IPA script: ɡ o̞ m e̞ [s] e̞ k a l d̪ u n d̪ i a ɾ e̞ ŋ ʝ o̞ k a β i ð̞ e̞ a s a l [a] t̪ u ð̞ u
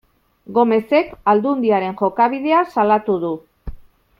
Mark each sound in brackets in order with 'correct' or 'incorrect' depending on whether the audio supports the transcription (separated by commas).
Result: correct, correct